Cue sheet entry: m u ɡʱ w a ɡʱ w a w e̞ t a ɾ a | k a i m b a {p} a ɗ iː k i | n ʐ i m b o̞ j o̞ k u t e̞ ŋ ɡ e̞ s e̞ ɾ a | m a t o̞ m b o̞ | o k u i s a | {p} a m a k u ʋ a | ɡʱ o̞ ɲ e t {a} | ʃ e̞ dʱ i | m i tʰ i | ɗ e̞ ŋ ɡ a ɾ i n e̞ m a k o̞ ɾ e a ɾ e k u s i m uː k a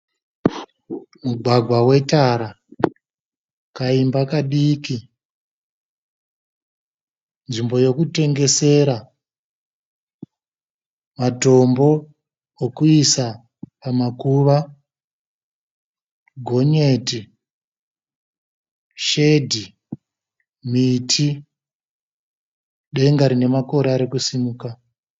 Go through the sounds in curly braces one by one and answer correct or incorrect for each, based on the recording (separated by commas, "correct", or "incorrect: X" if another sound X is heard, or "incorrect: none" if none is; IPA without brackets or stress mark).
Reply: incorrect: k, correct, incorrect: i